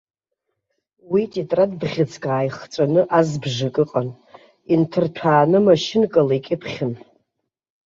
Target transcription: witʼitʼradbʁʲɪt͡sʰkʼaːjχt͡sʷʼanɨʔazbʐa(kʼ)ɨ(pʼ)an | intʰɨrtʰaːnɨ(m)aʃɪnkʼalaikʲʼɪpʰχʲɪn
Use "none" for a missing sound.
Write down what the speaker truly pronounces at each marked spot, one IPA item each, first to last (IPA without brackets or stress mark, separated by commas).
kʼ, qʼ, m